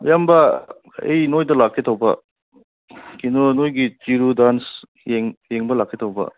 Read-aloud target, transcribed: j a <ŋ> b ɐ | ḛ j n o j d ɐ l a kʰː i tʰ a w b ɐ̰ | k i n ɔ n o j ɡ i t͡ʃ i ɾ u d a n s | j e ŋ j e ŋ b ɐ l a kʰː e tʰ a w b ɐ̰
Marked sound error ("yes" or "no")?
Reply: yes